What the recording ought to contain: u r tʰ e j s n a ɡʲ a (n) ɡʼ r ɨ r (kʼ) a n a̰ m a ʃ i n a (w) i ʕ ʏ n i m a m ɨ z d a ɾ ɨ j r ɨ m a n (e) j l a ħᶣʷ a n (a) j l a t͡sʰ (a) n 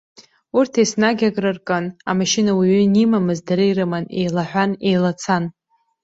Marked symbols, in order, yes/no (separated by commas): no, yes, yes, yes, no, yes